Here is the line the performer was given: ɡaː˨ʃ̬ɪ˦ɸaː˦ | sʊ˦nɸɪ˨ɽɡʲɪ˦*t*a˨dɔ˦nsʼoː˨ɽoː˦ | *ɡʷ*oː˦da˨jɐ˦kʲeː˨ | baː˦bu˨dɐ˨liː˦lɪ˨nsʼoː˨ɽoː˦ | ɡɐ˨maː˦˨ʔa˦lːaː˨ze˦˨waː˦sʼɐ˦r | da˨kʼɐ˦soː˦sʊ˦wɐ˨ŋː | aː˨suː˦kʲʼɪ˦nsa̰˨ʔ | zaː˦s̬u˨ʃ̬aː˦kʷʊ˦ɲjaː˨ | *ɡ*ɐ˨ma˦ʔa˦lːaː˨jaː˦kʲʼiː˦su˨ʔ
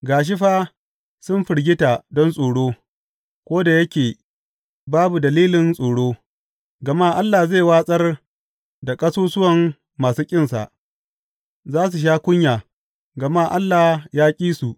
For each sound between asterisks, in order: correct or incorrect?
correct, incorrect: kʷ, correct

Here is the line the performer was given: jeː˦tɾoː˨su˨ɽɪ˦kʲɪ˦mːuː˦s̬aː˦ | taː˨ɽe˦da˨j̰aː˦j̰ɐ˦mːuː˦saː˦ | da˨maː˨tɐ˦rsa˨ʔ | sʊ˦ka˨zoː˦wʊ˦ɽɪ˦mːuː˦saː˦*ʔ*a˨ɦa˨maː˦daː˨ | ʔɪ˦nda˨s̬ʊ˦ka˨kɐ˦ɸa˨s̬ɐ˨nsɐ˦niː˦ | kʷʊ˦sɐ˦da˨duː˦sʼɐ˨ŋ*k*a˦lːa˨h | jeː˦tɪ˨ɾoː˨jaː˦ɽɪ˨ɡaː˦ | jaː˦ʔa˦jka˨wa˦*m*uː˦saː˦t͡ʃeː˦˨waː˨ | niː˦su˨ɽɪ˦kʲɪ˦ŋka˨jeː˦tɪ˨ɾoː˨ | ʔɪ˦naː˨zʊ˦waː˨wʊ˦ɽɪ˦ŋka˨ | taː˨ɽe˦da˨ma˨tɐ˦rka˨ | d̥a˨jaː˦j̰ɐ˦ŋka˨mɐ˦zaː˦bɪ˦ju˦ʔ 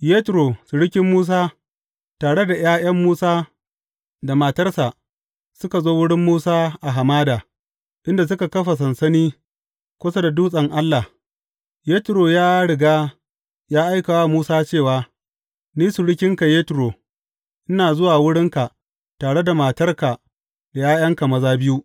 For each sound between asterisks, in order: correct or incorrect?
correct, incorrect: ʔ, correct

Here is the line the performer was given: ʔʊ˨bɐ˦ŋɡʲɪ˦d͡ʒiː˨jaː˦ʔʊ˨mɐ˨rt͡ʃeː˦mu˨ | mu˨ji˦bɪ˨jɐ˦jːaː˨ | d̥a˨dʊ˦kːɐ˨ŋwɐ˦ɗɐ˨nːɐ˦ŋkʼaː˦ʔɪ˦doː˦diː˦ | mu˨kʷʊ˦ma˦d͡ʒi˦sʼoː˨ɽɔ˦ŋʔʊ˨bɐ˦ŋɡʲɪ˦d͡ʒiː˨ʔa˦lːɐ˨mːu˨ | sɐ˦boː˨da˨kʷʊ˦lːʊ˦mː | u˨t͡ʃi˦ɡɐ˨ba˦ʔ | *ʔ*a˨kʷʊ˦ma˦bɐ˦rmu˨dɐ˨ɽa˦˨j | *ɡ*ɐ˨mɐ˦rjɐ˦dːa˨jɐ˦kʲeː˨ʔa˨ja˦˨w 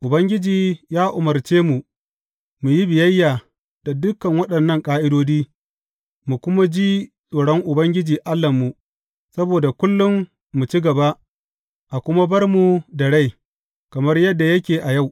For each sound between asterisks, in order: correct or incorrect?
correct, incorrect: k

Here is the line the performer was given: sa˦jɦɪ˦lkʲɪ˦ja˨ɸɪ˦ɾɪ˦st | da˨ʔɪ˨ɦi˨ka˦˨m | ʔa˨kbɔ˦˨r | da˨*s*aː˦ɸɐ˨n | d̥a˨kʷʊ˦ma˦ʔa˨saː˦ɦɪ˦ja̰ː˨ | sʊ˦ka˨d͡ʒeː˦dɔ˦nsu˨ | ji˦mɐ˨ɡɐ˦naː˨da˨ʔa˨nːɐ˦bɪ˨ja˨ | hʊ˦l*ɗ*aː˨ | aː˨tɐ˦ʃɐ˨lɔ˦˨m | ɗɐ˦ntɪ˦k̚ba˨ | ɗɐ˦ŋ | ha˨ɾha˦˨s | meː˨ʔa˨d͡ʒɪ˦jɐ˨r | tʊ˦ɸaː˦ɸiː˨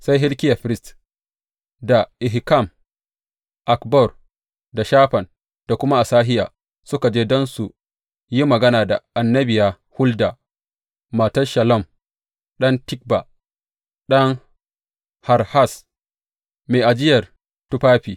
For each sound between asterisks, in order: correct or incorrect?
incorrect: ʃ, incorrect: d

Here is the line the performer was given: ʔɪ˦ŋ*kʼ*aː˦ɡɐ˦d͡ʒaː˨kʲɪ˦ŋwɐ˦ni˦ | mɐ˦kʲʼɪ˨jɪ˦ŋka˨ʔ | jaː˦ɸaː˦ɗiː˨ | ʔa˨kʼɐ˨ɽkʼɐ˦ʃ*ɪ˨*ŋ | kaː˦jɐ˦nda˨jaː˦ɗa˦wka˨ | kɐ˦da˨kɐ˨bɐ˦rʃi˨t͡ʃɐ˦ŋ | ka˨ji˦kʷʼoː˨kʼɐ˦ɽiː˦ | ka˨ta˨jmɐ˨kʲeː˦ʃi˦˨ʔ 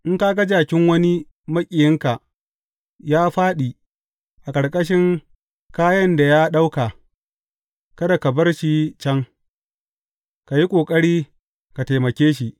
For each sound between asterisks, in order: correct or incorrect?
incorrect: k, incorrect: ɪ˦

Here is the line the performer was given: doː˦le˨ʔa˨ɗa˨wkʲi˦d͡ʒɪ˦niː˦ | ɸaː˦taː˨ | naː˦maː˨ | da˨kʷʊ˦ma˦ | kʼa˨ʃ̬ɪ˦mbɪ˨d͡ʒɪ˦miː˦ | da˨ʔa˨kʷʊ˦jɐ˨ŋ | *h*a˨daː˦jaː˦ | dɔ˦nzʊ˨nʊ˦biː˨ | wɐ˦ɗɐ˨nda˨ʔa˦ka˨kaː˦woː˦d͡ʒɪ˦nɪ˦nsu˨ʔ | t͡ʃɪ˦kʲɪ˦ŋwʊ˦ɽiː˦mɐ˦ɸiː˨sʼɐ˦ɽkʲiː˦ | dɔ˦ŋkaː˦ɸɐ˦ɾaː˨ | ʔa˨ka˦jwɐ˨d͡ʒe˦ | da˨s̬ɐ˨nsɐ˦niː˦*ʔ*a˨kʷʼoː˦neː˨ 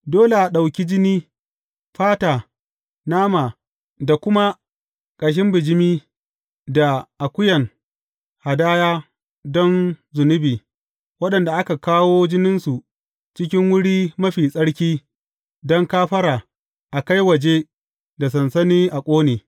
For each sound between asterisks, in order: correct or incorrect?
correct, correct

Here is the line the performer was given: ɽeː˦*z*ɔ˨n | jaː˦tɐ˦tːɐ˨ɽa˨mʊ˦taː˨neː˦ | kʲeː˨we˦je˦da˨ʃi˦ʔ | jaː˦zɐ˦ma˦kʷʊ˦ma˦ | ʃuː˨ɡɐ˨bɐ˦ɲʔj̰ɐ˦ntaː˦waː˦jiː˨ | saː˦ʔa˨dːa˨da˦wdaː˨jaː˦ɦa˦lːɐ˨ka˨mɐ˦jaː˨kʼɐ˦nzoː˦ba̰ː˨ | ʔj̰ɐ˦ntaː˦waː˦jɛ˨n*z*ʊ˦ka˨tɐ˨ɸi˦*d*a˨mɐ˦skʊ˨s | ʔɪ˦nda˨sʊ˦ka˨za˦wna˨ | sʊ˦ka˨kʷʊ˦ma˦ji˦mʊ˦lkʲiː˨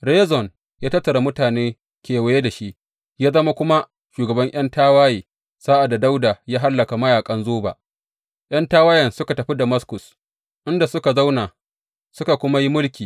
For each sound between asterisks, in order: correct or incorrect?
correct, incorrect: s, correct

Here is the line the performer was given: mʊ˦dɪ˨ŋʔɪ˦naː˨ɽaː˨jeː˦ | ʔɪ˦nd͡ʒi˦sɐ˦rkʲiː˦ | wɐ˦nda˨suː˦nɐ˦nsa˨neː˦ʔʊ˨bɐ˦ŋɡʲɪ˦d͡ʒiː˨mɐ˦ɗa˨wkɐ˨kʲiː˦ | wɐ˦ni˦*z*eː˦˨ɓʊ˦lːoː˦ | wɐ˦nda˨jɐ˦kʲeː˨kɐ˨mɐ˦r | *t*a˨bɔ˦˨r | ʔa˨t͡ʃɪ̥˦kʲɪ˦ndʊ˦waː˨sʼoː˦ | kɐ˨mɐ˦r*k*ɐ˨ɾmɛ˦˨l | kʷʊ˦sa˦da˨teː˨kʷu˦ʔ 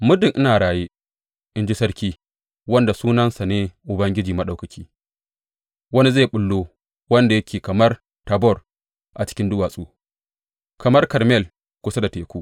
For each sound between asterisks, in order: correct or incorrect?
correct, correct, correct

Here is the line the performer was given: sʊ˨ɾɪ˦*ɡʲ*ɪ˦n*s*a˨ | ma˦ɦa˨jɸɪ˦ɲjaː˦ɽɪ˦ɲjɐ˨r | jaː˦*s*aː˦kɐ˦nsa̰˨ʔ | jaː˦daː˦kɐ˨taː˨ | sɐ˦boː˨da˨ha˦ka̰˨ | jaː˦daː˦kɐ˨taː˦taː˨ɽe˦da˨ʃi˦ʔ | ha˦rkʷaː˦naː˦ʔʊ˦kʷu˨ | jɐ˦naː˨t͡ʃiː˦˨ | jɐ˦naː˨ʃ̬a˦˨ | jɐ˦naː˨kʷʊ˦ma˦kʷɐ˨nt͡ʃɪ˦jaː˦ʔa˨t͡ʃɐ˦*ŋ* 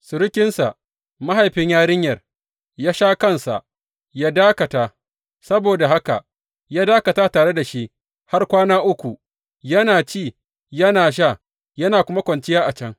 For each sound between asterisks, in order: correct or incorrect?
incorrect: kʲ, correct, incorrect: ʃ, correct

